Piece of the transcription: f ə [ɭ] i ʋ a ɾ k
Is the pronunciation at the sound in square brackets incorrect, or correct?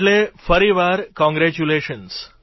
incorrect